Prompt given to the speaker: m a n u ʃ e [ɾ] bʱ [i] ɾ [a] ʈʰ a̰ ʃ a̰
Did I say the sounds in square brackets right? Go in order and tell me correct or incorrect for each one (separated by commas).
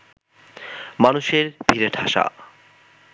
correct, correct, incorrect